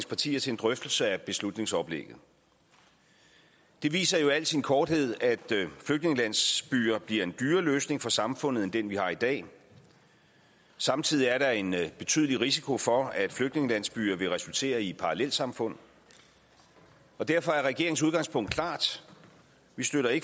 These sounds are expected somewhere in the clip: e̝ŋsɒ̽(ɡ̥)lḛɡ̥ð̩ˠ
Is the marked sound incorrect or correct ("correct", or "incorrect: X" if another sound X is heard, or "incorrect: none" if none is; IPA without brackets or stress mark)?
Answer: incorrect: b̥